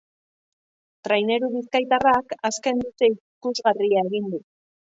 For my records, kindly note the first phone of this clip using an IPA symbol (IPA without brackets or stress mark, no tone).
t̪